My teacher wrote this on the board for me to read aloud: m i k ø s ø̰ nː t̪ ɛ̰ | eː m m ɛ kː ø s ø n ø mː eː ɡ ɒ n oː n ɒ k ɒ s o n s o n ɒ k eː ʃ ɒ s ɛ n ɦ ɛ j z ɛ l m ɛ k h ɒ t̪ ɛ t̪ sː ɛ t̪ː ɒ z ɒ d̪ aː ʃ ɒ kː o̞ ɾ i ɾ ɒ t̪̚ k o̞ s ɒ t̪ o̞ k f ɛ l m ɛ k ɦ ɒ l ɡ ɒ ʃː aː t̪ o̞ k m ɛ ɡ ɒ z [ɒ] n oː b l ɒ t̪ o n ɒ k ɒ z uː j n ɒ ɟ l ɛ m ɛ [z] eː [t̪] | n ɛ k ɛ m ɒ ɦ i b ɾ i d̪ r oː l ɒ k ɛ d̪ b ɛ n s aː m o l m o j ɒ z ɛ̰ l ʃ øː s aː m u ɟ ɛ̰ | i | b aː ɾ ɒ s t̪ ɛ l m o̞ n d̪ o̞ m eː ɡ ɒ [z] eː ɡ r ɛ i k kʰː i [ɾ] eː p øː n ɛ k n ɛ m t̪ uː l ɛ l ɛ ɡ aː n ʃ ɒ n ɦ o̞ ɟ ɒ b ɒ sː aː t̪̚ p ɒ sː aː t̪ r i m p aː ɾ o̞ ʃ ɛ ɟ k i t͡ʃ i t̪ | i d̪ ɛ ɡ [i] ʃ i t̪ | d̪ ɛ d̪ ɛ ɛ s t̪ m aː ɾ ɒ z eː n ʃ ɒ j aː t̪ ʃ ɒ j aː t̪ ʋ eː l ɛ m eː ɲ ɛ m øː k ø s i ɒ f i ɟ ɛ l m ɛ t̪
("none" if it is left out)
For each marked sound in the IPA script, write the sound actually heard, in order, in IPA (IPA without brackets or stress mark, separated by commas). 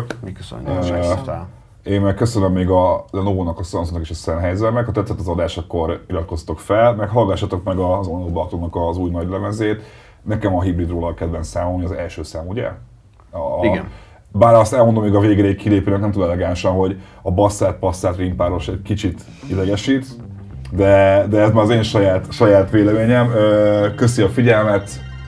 o, z, t̪, v, l, ɛ